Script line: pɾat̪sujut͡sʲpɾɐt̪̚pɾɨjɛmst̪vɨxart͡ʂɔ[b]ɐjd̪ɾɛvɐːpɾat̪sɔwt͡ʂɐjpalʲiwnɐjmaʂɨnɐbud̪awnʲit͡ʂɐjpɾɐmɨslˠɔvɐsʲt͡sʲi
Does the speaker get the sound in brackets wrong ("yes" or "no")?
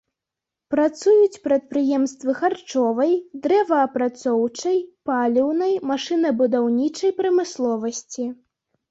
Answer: yes